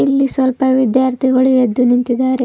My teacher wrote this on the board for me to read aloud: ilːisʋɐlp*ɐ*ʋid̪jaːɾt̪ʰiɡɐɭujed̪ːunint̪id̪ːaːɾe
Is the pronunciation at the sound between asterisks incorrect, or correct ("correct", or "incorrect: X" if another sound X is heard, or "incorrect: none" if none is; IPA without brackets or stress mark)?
correct